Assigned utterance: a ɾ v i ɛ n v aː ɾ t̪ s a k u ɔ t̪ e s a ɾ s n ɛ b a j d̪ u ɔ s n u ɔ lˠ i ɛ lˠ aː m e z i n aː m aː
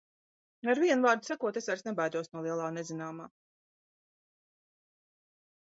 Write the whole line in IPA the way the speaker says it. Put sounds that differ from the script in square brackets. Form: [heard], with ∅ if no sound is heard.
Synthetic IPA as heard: a ɾ v i ɛ n v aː ɾ [d̪] s a k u ɔ t̪ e s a ɾ s n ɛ b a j d̪ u ɔ s n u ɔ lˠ i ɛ lˠ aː [n] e z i n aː m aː